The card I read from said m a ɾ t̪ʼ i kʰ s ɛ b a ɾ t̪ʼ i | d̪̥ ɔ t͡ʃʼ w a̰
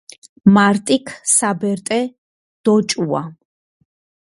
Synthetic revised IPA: m a ɾ t̪ʼ i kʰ s a b ɛ ɾ t̪ʼ ɛ | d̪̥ ɔ t͡ʃʼ u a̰